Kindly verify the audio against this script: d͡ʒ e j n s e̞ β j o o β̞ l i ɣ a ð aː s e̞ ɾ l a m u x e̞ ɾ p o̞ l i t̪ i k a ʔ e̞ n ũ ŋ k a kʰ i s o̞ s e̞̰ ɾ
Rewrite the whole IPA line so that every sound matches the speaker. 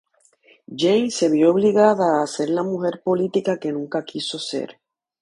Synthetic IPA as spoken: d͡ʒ e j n s e̞ β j o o β̞ l i ɣ a ð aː s e̞ ɾ l a m u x e̞ ɾ p o̞ l i t̪ i k a k e̞ n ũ ŋ k a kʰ i s o̞ s e̞̰ ɾ